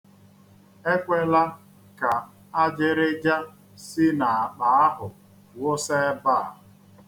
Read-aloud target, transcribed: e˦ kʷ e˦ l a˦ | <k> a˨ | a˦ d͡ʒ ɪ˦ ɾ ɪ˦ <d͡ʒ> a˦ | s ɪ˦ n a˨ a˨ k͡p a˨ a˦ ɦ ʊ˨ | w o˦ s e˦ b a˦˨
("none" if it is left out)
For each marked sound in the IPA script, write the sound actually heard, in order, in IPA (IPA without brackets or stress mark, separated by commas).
k, d͡ʒ